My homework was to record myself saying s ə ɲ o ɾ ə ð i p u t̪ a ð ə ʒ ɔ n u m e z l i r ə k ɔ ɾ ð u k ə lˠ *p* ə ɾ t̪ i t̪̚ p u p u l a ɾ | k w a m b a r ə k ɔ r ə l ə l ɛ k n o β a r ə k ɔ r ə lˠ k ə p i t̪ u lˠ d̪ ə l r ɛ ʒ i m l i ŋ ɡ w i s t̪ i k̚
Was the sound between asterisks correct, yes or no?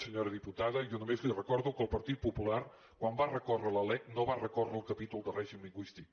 yes